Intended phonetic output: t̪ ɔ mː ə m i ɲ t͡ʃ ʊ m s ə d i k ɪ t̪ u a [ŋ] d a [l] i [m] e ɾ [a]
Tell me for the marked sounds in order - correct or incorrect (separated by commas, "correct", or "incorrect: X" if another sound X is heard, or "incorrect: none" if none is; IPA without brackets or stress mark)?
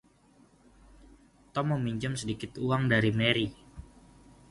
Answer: correct, incorrect: ɾ, correct, incorrect: i